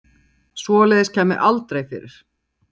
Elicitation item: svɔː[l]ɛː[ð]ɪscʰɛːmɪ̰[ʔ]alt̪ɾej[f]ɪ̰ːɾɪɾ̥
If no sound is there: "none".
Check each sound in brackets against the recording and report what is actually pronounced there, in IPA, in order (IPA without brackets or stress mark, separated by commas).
l, ð, ʔ, f